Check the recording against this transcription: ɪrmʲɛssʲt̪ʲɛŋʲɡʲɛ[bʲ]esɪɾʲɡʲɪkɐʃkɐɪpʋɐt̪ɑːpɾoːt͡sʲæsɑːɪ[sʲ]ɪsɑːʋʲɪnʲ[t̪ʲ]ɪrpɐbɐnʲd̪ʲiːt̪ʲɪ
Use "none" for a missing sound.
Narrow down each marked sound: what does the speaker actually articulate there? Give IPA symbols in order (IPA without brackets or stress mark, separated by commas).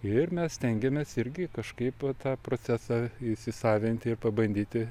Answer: mʲ, sʲ, t̪ʲ